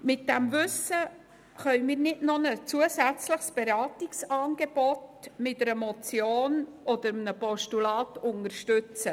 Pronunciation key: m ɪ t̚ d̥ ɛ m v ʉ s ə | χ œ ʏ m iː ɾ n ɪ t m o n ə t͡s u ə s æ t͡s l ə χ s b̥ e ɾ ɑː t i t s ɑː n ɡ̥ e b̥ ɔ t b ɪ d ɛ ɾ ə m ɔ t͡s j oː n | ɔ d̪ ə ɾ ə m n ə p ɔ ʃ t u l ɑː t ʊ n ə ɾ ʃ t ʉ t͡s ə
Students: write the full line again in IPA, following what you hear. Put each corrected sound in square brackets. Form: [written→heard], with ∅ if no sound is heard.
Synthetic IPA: m ɪ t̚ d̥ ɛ m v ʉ s ə | χ œ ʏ m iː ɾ n ɪ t [m→n] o n ə t͡s u ə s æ t͡s l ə χ s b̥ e ɾ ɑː t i [t→k] s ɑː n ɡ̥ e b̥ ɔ t [b→m] ɪ [d→t] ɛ ɾ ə m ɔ t͡s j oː n | ɔ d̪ ə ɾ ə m n ə p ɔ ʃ t u l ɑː t ʊ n ə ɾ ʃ t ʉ t͡s ə